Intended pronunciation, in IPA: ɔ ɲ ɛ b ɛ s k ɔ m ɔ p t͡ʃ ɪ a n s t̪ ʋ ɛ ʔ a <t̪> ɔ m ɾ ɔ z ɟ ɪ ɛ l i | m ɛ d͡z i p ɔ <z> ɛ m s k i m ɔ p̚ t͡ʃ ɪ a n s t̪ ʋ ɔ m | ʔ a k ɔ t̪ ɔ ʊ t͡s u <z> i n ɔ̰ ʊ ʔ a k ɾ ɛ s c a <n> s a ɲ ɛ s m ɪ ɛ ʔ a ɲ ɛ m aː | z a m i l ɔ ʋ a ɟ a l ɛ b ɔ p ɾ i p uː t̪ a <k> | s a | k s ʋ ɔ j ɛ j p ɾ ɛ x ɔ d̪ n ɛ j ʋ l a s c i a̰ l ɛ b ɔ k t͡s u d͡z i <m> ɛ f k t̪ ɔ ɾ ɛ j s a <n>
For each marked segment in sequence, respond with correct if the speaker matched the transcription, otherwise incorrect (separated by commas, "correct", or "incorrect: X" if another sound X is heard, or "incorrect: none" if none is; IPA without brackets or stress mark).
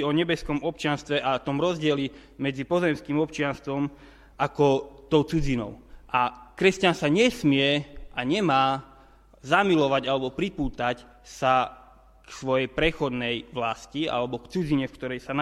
correct, correct, incorrect: d͡z, correct, incorrect: c, incorrect: ɲ, correct